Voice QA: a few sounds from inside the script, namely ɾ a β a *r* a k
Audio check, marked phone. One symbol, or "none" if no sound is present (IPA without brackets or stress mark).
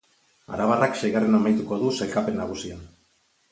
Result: r